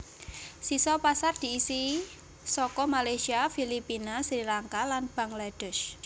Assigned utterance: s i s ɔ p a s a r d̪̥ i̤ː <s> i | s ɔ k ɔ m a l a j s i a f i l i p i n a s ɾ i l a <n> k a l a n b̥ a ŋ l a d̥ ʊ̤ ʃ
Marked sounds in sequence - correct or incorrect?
correct, incorrect

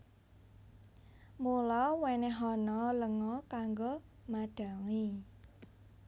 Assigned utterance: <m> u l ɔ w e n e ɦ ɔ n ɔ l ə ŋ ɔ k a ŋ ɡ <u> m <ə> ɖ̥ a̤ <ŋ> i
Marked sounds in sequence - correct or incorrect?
correct, incorrect, incorrect, correct

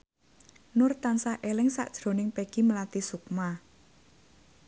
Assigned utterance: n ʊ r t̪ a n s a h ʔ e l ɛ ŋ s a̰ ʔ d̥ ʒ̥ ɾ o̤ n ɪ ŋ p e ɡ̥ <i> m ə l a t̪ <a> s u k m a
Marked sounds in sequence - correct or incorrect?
correct, incorrect

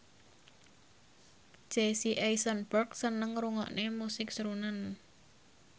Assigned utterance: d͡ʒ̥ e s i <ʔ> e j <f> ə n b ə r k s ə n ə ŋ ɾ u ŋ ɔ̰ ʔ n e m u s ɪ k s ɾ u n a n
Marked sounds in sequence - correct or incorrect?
correct, incorrect

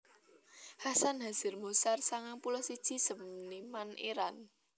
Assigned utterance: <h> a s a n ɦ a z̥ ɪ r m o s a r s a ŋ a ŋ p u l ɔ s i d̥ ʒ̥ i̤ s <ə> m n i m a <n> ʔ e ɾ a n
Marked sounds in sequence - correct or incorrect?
correct, correct, correct

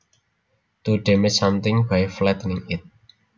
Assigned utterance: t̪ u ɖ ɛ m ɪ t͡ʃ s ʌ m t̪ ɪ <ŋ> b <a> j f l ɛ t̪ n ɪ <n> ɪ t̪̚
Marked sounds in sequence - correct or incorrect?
correct, correct, incorrect

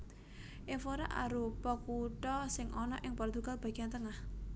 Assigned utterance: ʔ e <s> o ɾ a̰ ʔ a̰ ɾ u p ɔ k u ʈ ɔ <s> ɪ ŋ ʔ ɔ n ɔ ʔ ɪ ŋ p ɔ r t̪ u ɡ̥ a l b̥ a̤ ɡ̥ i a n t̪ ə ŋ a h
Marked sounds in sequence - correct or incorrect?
incorrect, correct

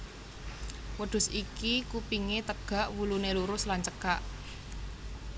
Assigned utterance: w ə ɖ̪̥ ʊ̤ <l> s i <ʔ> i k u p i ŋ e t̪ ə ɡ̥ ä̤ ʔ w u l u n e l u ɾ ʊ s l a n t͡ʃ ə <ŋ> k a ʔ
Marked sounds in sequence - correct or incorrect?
incorrect, incorrect, incorrect

